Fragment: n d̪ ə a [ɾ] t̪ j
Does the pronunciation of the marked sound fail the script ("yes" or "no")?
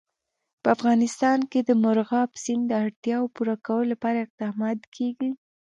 yes